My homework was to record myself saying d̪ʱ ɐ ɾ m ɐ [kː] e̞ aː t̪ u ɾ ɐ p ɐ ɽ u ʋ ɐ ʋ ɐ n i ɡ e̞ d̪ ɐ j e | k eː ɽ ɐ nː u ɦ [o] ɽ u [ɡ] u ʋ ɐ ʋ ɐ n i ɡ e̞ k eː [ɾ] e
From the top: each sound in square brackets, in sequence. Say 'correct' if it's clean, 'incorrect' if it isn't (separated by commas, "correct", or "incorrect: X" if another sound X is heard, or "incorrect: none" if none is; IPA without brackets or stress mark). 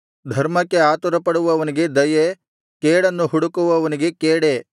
correct, incorrect: u, incorrect: k, incorrect: ɽ